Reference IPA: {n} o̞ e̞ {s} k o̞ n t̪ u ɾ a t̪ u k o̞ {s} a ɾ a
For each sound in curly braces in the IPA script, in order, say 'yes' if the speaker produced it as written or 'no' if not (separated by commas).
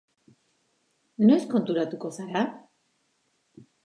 yes, yes, yes